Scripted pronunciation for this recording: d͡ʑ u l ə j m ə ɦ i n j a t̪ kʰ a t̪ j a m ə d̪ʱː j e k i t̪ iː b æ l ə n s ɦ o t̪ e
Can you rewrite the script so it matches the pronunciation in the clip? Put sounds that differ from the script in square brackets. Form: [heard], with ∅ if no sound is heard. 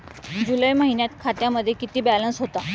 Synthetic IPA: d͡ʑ u l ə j m ə ɦ i n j a t̪ kʰ a t̪ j a m ə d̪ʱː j e k i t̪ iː b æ l ə n s ɦ o t̪ [a]